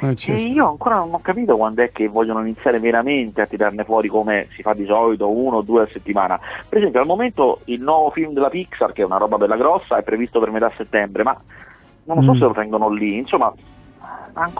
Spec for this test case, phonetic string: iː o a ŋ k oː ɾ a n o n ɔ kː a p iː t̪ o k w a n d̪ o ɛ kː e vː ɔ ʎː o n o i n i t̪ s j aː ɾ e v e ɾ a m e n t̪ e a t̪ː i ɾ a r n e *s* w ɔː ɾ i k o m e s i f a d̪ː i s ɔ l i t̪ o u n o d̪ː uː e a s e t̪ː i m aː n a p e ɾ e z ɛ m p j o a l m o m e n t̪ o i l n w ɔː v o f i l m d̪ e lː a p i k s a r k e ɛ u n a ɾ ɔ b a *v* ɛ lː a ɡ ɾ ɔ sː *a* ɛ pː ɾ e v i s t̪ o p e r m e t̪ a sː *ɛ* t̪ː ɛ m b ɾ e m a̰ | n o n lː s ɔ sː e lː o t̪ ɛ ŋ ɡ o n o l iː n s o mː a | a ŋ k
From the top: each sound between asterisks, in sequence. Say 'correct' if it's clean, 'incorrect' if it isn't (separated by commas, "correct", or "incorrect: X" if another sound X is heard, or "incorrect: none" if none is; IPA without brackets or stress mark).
incorrect: f, incorrect: b, correct, incorrect: e